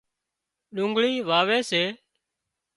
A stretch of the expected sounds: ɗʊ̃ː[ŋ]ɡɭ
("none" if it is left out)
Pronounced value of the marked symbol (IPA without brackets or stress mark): ŋ